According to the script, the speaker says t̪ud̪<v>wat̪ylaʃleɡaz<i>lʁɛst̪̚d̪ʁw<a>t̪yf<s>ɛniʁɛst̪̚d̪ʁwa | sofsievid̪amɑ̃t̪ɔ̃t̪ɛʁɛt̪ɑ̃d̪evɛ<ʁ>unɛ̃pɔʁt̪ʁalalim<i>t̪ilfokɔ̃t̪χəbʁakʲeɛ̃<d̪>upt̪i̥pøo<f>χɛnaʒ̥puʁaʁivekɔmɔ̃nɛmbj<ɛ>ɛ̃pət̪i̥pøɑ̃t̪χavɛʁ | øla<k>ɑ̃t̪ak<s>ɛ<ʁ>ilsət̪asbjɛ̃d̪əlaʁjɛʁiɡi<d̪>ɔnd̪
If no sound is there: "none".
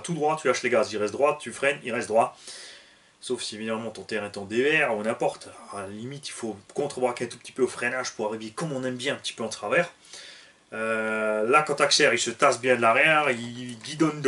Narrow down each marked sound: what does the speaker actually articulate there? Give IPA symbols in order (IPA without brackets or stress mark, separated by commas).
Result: ʁ, i, a, χ, ʁ, i, t̪, f, ɛ̃, k, s, ʁ, d̪